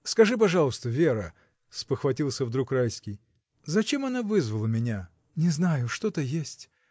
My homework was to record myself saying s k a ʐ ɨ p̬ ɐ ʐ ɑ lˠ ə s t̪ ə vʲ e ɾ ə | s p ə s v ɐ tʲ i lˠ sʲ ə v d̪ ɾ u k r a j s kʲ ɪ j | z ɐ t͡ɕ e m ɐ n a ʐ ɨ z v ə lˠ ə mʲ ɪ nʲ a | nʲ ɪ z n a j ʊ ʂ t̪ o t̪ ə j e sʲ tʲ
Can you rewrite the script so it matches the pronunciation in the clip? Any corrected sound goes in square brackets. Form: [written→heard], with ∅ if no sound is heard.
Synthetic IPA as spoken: s k [a→ɐ] ʐ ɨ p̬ ɐ ʐ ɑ lˠ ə s t̪ ə vʲ e ɾ ə | s p ə [s→x] v ɐ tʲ i lˠ sʲ ə v d̪ ɾ u k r a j s kʲ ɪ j | z ɐ t͡ɕ e m ɐ n a [ʐ→v] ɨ z v ə lˠ ə mʲ ɪ nʲ a | nʲ ɪ z n a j ʊ ʂ t̪ o t̪ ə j e sʲ tʲ